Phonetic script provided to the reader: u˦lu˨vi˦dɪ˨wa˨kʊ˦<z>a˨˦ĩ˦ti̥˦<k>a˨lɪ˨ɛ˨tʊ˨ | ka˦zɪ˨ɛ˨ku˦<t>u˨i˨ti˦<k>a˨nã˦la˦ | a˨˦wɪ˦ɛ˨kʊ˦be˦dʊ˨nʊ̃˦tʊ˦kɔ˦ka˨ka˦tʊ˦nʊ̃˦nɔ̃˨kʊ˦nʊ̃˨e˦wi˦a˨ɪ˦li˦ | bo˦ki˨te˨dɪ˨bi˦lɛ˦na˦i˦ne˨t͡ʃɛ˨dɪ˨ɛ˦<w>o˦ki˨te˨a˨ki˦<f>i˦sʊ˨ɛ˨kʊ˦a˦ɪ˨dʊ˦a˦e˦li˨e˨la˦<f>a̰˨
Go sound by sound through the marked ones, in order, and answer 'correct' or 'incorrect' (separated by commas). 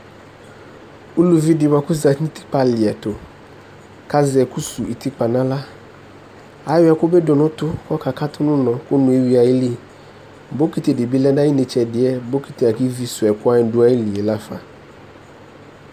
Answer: correct, incorrect, incorrect, incorrect, incorrect, incorrect, correct